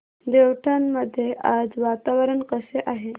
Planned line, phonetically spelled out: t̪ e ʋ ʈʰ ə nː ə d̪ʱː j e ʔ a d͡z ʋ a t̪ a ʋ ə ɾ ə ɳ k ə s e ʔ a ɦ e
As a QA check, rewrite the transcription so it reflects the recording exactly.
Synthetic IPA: d̪ e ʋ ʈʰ a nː ə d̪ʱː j e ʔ a d͡z ʋ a t̪ a ʋ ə ɾ ə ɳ k ə s e ʔ a ɦ e